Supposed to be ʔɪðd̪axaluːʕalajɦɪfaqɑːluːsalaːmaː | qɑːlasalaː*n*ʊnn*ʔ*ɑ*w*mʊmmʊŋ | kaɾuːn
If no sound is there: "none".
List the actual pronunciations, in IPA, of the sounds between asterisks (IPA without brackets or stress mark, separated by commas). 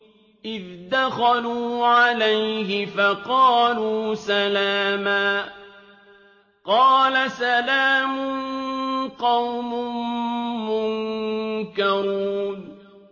m, q, w